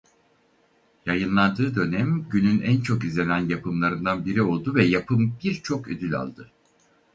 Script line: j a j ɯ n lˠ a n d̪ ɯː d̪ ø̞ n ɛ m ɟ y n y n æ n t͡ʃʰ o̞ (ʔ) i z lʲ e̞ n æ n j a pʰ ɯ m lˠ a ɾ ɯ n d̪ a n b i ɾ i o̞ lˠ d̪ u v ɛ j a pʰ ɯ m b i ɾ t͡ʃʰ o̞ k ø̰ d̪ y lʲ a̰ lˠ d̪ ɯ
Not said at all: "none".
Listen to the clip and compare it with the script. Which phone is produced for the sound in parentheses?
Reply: k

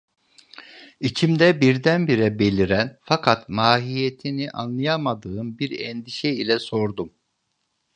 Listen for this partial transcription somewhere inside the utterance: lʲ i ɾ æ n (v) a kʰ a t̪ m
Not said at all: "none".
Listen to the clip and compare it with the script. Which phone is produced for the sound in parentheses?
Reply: f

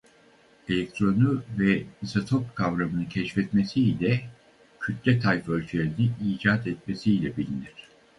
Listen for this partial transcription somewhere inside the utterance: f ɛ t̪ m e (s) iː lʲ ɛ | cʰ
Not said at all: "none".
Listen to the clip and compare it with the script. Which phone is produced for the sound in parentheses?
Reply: s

